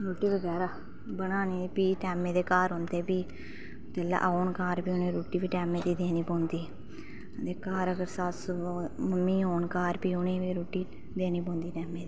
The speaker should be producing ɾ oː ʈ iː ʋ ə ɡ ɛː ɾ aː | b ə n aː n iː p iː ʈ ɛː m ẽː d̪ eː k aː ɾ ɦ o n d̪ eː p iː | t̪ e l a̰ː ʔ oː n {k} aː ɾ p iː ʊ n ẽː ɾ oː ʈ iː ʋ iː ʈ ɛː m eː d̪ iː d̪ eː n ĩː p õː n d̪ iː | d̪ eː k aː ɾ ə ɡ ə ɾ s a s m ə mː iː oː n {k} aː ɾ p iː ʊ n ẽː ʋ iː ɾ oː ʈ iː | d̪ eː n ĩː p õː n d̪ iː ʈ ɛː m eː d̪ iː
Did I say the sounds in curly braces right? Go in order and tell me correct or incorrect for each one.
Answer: correct, correct

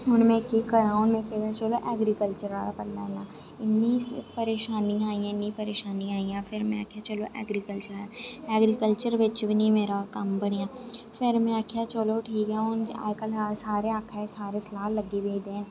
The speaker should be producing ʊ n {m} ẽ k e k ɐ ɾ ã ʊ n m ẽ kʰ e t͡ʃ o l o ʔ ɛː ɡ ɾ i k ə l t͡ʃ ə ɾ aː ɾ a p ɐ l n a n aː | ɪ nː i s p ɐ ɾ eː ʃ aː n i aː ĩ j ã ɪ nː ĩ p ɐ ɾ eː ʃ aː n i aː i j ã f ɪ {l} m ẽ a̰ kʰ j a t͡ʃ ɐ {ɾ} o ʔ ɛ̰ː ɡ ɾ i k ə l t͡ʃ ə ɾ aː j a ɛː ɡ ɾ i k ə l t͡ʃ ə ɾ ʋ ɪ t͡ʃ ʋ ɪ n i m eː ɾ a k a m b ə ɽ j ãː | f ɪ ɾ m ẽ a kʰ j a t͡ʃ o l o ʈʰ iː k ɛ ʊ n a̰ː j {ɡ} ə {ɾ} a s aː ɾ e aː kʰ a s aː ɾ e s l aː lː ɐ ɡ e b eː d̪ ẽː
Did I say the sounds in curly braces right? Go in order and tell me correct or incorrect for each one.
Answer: correct, incorrect: ɾ, incorrect: l, incorrect: k, incorrect: l

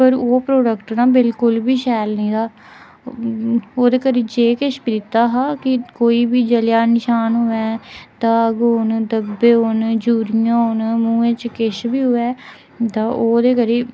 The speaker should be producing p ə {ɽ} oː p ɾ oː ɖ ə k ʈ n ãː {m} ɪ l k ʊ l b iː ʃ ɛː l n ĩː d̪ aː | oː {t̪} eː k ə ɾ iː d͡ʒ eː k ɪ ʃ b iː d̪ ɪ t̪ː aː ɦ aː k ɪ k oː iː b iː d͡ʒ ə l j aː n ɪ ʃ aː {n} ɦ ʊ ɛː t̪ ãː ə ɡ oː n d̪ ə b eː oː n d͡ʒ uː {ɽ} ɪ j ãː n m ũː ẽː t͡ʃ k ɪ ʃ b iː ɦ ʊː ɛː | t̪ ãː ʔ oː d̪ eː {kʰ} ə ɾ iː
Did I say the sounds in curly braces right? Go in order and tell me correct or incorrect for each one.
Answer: incorrect: ɾ, incorrect: b, incorrect: d̪, correct, incorrect: ɾ, incorrect: k

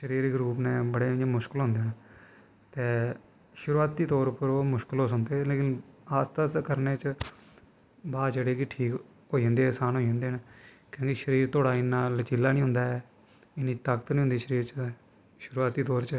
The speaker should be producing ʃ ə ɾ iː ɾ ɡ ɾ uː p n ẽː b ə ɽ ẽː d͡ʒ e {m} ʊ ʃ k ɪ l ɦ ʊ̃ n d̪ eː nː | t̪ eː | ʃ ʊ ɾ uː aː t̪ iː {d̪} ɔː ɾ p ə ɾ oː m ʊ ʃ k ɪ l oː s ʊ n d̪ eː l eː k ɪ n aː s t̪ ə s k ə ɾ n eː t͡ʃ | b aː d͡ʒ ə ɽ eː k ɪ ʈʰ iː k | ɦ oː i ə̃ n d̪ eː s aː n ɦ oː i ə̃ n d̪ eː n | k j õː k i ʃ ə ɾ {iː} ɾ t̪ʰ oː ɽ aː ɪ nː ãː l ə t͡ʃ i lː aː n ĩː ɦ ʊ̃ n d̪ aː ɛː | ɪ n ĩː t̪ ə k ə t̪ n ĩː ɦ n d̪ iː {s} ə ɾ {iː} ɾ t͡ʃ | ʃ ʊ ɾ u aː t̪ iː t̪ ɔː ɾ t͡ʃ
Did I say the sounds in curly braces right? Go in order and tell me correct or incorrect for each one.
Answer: correct, incorrect: t̪, correct, incorrect: ʃ, correct

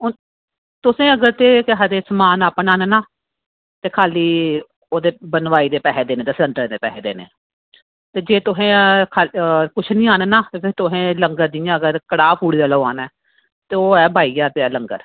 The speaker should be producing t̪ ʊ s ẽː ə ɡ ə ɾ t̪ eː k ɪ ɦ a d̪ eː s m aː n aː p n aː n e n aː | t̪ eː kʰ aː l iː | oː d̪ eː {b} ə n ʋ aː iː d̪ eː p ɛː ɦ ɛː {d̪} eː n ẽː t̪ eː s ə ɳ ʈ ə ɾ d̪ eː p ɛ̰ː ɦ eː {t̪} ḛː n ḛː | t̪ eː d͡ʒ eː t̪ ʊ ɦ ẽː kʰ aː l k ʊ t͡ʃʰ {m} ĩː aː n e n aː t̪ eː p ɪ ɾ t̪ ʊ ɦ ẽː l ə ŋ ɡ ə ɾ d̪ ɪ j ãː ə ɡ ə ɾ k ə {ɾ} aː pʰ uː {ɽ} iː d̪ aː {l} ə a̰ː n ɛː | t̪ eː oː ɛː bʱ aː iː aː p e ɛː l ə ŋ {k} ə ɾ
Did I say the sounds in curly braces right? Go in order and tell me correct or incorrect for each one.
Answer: correct, correct, incorrect: d̪, incorrect: n, incorrect: ɽ, correct, correct, incorrect: ɡ

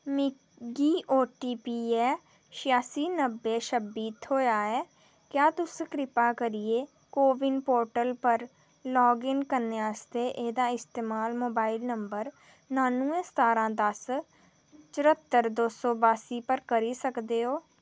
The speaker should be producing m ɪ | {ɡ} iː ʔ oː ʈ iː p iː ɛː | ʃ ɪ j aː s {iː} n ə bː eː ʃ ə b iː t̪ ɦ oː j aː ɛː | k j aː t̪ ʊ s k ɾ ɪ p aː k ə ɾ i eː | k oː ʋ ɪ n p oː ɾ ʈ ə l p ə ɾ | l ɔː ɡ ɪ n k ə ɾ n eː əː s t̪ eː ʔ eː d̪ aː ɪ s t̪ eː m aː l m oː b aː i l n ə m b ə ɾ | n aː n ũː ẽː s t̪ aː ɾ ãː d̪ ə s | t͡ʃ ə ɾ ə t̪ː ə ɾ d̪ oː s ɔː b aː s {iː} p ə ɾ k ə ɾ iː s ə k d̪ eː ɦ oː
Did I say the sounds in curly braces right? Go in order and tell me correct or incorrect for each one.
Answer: correct, correct, correct

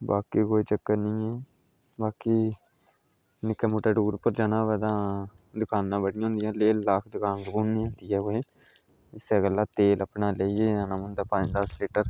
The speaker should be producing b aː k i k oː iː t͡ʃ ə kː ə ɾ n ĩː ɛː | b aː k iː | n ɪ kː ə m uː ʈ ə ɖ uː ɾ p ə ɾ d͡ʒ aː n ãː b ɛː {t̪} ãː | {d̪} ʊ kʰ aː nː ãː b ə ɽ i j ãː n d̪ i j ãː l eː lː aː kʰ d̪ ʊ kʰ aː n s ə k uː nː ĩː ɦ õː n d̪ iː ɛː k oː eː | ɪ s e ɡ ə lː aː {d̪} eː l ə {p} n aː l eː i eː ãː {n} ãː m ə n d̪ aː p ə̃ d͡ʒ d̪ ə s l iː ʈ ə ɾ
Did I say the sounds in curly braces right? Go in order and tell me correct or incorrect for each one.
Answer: incorrect: d̪, correct, incorrect: t̪, correct, correct

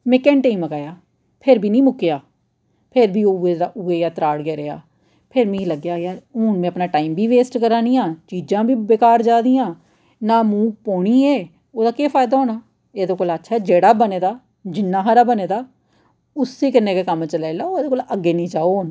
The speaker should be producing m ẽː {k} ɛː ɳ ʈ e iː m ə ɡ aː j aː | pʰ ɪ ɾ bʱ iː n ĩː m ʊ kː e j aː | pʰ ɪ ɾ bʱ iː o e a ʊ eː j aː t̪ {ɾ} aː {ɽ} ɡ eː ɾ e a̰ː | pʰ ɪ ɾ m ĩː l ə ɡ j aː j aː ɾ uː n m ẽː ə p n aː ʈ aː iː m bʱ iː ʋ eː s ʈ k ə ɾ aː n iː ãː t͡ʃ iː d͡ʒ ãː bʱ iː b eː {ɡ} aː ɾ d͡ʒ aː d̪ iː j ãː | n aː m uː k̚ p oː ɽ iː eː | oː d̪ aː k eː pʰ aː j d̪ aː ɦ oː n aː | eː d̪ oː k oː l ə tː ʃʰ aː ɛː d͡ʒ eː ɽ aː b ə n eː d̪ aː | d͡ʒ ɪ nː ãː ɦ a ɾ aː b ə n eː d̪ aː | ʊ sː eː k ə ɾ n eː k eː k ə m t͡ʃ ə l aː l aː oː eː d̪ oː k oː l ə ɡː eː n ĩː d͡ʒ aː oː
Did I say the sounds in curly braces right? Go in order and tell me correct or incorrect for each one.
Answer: correct, correct, correct, incorrect: k

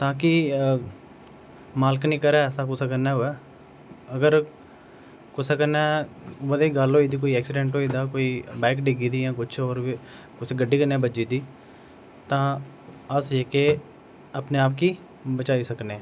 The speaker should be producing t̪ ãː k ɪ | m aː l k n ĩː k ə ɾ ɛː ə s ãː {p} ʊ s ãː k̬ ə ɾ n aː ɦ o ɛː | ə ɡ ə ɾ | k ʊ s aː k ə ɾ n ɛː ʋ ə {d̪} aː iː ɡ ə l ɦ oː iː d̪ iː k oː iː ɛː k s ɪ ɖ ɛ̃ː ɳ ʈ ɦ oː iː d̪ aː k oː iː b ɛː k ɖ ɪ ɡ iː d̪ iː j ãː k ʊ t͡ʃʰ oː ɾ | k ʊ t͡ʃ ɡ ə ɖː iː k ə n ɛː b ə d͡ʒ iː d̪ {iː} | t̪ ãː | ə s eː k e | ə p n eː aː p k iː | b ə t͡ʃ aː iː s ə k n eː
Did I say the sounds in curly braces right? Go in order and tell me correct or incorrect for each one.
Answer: incorrect: k, correct, correct

